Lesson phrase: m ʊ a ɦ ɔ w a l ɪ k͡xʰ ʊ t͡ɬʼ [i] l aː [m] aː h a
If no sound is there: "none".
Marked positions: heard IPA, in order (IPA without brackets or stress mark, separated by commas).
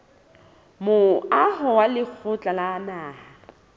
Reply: a, n